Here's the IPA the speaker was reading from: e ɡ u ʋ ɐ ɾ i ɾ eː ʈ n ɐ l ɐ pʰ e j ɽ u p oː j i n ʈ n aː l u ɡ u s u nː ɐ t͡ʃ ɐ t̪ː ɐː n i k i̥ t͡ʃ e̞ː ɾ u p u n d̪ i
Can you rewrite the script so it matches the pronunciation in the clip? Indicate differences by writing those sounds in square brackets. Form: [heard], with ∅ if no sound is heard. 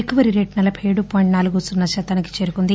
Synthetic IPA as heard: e [k] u ʋ ɐ ɾ i ɾ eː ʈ n ɐ l ɐ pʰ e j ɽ u p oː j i [ɳ] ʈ n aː l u ɡ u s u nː ɐ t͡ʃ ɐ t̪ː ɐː n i k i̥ t͡ʃ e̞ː ɾ u [k] u n d̪ i